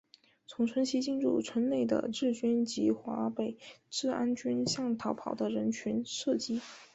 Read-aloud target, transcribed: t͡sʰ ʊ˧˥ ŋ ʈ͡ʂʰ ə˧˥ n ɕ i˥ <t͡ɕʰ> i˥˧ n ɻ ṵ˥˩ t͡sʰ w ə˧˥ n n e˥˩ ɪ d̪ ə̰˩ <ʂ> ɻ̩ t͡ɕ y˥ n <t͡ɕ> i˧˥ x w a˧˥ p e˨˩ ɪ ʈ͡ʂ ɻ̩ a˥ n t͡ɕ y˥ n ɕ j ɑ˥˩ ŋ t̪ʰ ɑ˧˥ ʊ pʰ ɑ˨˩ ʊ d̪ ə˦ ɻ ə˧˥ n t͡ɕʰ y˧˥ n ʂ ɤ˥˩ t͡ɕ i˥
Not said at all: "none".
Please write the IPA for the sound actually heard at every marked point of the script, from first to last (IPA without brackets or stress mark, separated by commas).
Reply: t͡ɕ, ʈ͡ʂ, t͡ɕ